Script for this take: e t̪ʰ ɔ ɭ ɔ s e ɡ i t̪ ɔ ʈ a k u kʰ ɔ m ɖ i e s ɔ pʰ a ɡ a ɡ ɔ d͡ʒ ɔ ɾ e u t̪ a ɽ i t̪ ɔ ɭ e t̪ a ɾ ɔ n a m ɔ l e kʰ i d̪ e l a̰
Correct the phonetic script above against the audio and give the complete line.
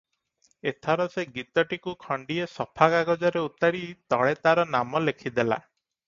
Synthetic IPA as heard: e t̪ʰ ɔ ɾ ɔ s e ɡ i t̪ ɔ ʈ i k u kʰ ɔ ɳ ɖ i e s ɔ pʰ a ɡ a ɡ ɔ d͡ʒ ɔ ɾ e u t̪ a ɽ i t̪ ɔ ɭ e t̪ a ɾ ɔ n a m ɔ l e kʰ i d̪ e l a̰